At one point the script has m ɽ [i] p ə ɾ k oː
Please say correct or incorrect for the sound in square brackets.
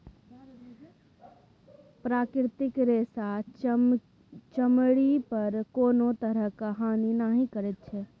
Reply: correct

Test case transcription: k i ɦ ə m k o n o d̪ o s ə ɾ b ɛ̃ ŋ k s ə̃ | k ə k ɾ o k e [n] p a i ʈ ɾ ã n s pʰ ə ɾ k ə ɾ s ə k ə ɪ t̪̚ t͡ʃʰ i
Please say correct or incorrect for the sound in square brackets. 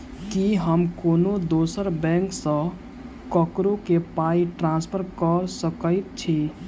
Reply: incorrect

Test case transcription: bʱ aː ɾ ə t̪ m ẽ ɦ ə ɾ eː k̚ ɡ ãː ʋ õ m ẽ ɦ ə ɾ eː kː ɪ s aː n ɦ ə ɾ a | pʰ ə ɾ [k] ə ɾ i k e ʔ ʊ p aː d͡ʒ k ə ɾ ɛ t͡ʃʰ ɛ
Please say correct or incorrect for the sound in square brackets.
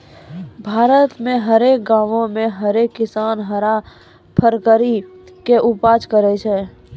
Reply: correct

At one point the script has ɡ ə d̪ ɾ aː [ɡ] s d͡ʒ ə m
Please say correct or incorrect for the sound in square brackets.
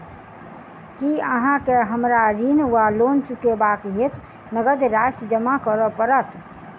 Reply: incorrect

